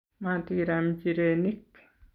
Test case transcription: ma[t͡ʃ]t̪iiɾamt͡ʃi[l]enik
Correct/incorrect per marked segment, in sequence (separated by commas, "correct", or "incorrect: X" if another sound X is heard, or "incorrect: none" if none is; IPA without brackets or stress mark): incorrect: none, incorrect: ɾ